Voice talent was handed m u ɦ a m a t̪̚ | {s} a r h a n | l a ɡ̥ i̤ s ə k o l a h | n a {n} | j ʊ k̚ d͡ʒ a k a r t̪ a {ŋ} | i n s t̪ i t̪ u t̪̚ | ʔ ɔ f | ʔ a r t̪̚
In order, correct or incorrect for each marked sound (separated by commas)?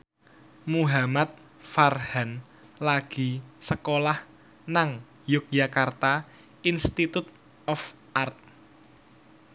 incorrect, incorrect, incorrect